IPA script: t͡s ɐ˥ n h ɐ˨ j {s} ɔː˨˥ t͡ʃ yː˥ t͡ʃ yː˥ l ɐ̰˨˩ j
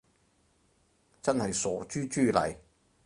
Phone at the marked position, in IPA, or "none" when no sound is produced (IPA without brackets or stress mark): s